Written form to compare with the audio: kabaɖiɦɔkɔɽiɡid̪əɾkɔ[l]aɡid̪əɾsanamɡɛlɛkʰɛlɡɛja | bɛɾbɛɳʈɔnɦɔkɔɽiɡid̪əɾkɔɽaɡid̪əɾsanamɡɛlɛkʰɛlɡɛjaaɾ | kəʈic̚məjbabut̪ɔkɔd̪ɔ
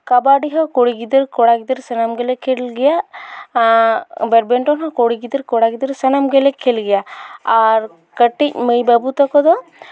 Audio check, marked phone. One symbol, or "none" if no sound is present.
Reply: ɽ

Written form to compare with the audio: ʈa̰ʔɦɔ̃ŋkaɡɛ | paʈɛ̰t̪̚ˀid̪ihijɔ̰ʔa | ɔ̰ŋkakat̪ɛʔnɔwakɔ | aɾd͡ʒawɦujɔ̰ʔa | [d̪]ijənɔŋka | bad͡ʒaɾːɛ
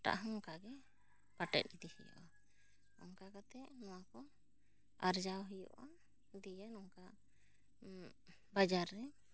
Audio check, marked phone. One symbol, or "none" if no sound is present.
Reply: d̪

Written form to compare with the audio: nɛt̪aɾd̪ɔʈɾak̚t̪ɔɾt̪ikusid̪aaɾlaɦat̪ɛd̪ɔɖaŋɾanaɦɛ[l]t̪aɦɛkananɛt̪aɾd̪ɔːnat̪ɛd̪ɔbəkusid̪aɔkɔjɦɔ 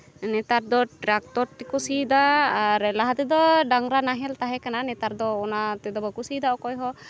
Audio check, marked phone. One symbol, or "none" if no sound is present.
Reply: l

